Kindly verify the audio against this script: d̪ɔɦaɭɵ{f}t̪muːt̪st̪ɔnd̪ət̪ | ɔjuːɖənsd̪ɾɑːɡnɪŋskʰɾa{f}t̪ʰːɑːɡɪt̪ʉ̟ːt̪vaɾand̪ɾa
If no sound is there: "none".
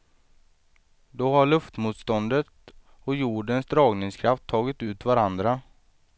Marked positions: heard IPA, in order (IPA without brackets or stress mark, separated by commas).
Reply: f, f